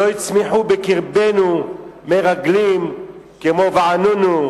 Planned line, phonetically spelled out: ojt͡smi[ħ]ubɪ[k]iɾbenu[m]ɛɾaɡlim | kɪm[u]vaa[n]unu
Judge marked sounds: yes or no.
yes, yes, yes, no, yes

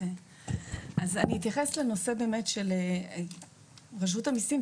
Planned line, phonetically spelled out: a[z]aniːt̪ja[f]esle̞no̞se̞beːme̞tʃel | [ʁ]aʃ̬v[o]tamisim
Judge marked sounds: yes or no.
yes, no, yes, no

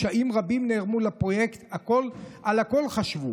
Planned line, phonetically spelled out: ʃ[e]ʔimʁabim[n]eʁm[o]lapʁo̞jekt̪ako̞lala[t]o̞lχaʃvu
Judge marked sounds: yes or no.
no, yes, no, no

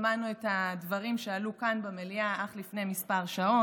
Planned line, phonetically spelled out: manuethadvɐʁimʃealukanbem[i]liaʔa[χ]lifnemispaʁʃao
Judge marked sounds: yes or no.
no, yes

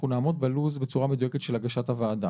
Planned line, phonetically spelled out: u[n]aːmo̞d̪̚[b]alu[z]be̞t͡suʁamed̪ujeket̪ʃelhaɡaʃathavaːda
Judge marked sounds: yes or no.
yes, yes, yes

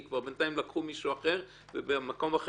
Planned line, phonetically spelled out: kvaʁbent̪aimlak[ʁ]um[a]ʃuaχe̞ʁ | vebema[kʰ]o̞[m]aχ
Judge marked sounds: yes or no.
no, no, no, yes

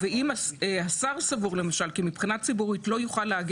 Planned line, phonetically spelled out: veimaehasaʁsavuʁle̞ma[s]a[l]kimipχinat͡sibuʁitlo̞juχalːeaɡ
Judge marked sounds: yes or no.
no, yes

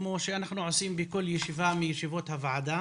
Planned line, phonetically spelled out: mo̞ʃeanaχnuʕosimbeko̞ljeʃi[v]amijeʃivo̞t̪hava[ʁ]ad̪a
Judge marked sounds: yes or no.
yes, no

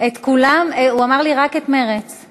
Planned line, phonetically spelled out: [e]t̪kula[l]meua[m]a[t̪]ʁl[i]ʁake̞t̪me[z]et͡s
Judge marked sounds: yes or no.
yes, no, yes, no, yes, no

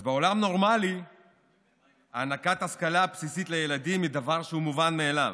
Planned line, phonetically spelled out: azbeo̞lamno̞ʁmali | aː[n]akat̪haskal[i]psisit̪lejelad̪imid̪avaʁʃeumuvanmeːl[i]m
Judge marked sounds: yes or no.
yes, no, no

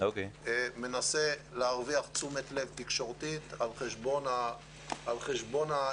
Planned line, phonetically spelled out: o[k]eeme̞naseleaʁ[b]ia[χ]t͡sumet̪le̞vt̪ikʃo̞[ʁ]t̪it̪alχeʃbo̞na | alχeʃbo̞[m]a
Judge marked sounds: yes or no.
yes, no, yes, yes, no

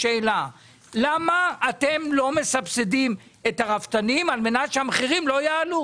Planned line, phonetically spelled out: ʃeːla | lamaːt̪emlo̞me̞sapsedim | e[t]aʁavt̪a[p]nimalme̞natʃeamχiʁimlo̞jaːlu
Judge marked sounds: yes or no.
yes, no

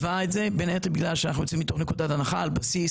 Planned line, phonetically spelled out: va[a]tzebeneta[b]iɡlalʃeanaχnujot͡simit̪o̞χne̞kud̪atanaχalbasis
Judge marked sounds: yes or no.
no, yes

